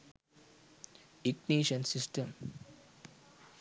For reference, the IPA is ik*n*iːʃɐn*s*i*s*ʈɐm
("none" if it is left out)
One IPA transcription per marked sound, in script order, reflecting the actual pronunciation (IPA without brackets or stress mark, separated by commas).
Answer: n, s, s